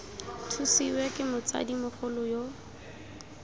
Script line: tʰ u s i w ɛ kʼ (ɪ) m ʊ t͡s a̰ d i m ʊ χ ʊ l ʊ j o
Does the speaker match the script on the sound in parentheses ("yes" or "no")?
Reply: yes